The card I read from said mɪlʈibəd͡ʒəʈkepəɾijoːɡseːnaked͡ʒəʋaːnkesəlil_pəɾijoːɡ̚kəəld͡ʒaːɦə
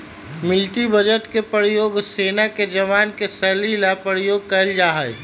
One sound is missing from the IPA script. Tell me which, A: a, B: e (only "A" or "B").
A